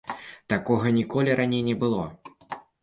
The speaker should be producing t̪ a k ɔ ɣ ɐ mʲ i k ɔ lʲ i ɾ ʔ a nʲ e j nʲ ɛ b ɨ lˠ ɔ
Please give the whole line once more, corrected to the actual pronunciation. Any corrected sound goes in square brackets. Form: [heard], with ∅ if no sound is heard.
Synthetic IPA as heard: t̪ a k ɔ ɣ ɐ [nʲ] i k ɔ lʲ i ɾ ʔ a nʲ e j nʲ ɛ b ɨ lˠ ɔ